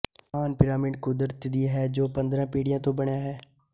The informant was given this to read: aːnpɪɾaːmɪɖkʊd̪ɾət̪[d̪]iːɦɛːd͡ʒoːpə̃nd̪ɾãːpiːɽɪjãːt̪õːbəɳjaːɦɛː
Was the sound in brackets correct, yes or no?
yes